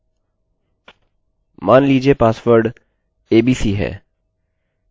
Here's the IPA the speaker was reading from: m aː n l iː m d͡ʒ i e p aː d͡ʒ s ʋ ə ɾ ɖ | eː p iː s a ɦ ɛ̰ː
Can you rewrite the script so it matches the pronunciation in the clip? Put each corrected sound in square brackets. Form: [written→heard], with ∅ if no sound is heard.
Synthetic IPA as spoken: m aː n l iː [m→∅] d͡ʒ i e p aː [d͡ʒ→∅] s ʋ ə ɾ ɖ | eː [p→b] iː s [a→i] ɦ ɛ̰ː